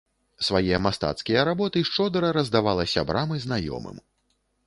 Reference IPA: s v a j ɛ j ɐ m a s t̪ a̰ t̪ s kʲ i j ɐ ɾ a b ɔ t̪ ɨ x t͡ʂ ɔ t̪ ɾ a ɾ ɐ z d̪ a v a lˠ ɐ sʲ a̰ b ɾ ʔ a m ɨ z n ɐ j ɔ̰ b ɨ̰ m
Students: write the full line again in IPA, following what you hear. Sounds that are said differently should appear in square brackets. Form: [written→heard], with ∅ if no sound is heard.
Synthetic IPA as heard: s v a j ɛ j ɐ m a s t̪ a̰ t̪ s kʲ i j ɐ ɾ a b ɔ t̪ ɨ [x→ʂ] t͡ʂ ɔ [t̪→d̪] ɾ [a→ɐ] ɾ ɐ z d̪ a v a lˠ ɐ sʲ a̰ b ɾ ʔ a m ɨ z n [ɐ→a] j ɔ̰ [b→m] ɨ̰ m